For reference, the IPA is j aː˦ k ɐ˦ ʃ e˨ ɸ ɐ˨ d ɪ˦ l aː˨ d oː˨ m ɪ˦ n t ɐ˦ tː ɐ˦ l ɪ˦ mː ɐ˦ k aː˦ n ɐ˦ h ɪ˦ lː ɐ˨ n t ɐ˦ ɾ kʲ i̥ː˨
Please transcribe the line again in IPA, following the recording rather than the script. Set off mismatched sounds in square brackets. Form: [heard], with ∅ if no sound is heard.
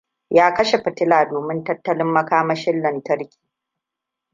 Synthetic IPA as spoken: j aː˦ k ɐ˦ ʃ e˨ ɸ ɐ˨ [t] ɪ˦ l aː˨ d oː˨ m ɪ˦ n t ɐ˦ tː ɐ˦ l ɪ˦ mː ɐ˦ k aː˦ [m] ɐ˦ [ʃ] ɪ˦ lː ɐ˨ n t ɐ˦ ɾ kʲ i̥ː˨

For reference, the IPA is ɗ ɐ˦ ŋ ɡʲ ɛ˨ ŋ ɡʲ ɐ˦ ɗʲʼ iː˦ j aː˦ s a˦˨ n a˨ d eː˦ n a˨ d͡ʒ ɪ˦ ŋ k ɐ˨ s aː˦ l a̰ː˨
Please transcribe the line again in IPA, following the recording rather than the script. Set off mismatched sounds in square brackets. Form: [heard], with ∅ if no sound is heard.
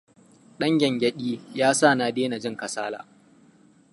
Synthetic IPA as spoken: ɗ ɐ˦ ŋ ɡʲ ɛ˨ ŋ ɡʲ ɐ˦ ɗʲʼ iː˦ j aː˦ s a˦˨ n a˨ d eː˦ n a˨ d͡ʒ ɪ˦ ŋ k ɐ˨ s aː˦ l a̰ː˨

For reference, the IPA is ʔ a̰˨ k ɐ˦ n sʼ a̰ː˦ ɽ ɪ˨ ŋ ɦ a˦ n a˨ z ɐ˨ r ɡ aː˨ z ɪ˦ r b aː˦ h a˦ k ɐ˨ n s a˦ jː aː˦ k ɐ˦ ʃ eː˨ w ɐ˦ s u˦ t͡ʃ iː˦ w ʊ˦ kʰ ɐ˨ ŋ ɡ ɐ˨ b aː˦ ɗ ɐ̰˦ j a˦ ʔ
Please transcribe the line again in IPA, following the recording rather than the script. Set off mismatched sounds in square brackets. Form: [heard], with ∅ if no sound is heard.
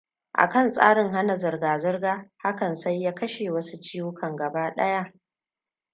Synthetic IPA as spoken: ʔ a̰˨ k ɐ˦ n sʼ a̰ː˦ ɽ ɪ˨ ŋ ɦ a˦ n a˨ z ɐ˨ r ɡ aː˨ z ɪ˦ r [ɡ] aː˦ h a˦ k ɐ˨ n s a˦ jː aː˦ k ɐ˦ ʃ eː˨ w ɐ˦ s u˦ t͡ʃ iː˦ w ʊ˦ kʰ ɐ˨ ŋ ɡ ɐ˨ b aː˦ ɗ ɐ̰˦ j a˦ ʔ

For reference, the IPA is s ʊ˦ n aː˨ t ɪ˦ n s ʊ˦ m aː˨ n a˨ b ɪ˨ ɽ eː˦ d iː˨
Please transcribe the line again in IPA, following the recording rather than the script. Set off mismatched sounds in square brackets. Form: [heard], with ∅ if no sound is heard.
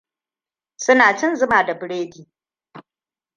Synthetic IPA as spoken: s ʊ˦ n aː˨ [t͡ʃ] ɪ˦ n [z] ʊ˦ m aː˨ [d] a˨ b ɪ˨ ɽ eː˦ d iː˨

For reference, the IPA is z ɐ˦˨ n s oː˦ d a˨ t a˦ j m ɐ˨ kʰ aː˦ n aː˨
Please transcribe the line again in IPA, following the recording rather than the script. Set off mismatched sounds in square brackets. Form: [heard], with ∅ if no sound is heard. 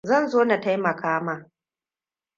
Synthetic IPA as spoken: z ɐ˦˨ n [z] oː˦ [n] a˨ t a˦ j m ɐ˨ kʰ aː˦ [m] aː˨

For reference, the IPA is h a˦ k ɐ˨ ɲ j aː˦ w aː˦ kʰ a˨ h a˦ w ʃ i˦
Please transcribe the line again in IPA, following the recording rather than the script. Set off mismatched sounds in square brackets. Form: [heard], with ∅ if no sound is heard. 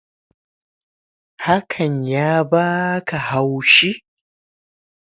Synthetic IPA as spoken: h a˦ [kʰ] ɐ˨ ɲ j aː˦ [b] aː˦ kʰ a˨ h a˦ w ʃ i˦

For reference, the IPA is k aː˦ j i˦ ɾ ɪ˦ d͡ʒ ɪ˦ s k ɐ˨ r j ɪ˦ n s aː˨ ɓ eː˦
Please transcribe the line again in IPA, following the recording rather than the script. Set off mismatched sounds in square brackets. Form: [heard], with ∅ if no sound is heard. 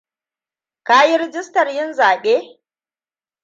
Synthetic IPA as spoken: k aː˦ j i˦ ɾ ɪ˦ d͡ʒ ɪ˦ s [t] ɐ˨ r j ɪ˦ n [z] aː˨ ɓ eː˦

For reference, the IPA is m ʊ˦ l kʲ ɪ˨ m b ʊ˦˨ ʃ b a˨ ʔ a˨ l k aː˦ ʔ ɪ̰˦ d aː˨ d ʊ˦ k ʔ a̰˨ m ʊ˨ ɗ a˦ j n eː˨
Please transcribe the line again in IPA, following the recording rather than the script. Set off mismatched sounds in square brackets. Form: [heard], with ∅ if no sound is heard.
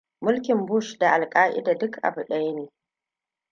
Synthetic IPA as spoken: m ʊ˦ l kʲ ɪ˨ m b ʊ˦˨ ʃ [d] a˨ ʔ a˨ l [kʼ] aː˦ ʔ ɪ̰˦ d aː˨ d ʊ˦ k ʔ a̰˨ [b] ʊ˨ ɗ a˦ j n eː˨

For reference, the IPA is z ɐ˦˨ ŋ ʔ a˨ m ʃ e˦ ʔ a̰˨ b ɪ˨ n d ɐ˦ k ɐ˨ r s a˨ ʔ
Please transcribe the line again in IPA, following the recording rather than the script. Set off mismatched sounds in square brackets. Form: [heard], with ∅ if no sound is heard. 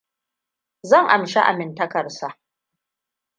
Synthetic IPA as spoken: z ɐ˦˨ ŋ ʔ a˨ m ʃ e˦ ʔ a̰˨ [m] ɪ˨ n [t] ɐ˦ k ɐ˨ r s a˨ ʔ

